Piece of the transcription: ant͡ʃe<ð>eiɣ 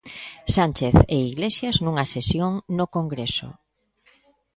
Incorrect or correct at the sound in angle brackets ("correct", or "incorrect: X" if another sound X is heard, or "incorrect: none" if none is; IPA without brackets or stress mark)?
incorrect: θ